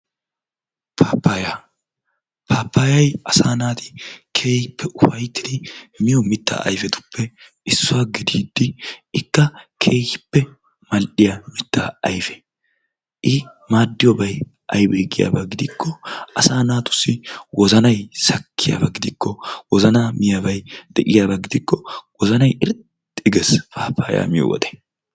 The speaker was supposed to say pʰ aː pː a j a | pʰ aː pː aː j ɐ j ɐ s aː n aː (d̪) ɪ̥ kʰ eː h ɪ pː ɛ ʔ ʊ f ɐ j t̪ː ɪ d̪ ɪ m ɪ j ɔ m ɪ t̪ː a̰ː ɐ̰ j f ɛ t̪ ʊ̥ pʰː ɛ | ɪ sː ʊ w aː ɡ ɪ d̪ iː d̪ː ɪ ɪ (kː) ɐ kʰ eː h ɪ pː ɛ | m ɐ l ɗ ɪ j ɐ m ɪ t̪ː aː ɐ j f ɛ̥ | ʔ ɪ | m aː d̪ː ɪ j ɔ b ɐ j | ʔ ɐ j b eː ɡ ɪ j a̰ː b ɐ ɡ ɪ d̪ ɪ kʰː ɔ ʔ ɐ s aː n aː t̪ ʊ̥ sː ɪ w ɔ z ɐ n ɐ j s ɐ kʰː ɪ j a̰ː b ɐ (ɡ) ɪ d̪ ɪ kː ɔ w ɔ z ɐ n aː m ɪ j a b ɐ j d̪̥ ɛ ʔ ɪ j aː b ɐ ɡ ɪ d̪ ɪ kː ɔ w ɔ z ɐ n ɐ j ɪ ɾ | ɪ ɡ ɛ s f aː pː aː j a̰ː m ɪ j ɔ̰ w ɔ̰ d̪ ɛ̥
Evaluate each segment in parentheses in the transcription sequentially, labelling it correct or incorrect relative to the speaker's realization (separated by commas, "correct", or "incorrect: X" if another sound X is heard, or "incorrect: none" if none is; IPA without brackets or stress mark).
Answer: incorrect: t̪, correct, correct